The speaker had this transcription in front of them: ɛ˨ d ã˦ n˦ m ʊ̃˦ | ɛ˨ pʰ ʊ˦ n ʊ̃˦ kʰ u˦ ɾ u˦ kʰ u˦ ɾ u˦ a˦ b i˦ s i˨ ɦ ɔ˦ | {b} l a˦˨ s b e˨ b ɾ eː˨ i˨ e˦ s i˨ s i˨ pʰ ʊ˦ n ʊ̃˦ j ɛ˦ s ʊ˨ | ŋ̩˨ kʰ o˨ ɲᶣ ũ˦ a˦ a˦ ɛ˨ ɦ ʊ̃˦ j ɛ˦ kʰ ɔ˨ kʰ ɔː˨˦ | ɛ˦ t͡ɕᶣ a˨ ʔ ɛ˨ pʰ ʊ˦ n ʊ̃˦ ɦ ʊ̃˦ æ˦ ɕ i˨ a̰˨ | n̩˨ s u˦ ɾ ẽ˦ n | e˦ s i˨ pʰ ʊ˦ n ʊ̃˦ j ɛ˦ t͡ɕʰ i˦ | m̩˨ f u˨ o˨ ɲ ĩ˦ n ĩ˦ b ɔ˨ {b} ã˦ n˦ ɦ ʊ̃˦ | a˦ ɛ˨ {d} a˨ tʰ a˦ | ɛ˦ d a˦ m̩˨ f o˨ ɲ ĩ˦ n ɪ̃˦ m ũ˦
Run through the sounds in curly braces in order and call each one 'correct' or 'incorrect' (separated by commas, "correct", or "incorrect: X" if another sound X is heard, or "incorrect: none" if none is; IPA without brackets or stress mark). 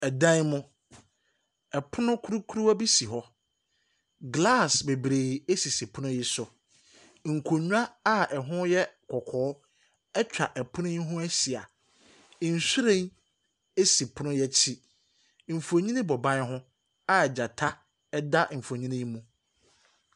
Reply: incorrect: ɡ, correct, incorrect: d͡ʑ